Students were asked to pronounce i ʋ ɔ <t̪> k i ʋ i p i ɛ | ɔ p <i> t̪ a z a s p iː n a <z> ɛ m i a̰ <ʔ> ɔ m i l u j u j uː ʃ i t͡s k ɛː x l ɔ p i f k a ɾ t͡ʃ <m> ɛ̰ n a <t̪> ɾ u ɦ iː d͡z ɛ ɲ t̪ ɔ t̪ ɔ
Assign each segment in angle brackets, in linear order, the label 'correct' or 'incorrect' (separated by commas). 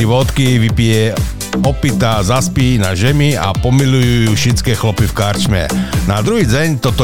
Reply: correct, correct, incorrect, incorrect, correct, incorrect